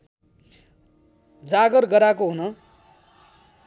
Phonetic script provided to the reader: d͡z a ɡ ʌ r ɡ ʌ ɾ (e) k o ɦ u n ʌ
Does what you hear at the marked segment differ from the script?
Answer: yes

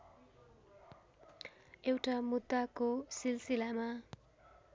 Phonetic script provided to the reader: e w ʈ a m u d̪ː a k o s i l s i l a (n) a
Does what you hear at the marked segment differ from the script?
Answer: yes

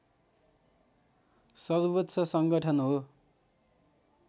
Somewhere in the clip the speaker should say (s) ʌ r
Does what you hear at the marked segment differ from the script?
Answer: no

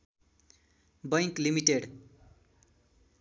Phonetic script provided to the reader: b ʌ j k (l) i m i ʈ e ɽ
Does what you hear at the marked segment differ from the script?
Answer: no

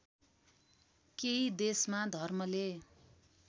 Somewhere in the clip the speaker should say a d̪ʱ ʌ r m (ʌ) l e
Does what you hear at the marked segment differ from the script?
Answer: no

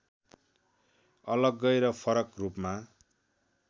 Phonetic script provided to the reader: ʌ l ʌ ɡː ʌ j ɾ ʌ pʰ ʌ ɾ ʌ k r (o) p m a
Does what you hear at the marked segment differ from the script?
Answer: yes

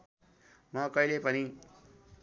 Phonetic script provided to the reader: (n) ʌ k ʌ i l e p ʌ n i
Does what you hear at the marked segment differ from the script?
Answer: yes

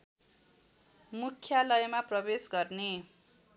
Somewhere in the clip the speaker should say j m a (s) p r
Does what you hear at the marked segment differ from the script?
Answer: yes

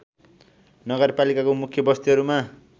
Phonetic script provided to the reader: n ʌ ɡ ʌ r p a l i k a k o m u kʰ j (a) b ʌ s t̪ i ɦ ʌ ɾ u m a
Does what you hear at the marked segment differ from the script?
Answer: yes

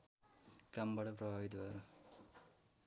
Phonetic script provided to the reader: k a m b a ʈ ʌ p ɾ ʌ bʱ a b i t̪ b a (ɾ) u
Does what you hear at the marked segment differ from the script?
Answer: no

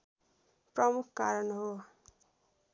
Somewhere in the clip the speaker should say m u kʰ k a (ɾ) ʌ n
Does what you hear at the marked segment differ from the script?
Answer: no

